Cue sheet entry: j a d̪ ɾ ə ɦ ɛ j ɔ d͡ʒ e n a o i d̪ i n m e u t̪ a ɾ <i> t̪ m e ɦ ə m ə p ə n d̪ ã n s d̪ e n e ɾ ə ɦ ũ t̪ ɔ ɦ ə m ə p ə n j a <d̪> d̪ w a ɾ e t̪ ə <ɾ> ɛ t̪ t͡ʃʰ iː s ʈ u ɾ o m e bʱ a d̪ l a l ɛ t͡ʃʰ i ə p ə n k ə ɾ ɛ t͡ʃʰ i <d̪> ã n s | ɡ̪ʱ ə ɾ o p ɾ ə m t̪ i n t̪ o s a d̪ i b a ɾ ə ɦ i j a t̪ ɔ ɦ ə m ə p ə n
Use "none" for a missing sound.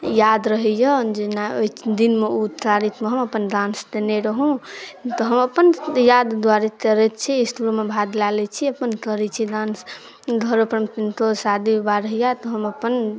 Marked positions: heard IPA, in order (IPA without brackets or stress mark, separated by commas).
i, d̪, ɾ, d̪